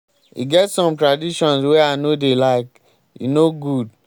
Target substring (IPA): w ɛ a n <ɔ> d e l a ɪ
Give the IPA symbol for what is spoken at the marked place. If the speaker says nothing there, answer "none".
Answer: o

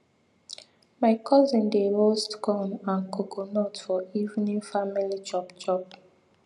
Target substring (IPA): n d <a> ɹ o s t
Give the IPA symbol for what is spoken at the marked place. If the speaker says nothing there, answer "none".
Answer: e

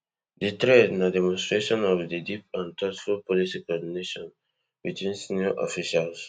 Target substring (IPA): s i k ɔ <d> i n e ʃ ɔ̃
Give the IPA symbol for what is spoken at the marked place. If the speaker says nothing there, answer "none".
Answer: d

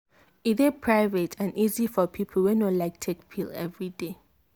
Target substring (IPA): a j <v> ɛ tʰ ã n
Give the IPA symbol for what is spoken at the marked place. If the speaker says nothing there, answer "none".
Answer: v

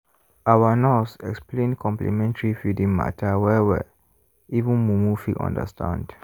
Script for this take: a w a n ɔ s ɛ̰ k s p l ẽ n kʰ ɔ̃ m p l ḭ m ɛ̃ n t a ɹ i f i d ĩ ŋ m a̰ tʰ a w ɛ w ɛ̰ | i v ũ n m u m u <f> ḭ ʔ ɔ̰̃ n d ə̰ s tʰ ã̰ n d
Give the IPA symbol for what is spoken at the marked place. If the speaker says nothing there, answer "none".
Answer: f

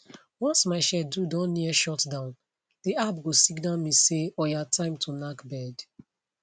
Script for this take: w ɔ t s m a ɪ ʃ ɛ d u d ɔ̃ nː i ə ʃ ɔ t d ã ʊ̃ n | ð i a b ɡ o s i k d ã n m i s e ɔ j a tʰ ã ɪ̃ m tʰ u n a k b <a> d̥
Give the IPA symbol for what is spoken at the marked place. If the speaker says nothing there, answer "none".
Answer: ɛ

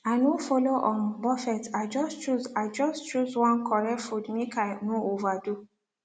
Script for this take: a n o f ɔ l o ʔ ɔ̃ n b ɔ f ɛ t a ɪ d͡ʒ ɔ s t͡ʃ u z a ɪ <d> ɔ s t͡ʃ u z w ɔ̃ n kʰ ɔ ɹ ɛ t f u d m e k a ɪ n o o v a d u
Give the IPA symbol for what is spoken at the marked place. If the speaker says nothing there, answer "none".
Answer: d͡ʒ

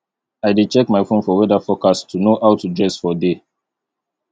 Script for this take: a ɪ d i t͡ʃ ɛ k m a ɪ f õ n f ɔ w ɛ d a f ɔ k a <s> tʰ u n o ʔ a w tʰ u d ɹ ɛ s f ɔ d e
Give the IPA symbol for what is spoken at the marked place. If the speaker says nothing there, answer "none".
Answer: s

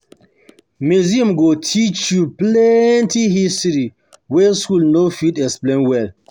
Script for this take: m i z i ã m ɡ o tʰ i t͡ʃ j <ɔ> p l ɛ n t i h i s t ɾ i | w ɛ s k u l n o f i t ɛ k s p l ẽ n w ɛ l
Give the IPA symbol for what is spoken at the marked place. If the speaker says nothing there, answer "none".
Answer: u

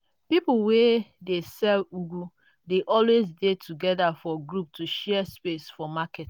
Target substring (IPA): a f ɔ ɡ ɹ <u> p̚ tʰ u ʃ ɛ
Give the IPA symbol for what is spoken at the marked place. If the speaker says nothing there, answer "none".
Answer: u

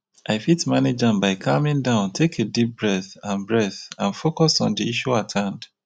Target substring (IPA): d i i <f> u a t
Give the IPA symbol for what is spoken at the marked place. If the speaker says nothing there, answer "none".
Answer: ʃ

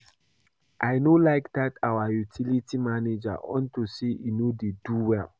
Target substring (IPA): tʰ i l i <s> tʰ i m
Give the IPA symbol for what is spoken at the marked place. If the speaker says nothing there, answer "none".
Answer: none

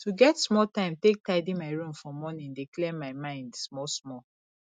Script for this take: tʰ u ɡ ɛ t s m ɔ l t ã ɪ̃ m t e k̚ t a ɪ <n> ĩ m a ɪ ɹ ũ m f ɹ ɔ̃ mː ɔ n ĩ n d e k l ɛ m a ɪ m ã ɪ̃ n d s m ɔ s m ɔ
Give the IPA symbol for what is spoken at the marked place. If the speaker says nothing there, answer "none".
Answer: d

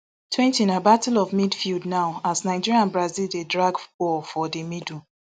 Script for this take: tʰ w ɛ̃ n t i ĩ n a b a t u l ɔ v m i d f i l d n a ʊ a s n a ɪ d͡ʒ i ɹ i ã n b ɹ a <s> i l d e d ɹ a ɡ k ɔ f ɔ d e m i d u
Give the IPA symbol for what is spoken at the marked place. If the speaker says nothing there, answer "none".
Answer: z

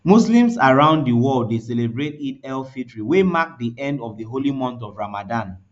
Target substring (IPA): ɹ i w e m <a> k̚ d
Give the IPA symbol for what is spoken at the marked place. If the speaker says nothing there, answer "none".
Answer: a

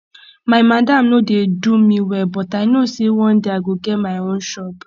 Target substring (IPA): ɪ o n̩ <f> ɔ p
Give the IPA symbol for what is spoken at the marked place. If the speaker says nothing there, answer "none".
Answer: ʃ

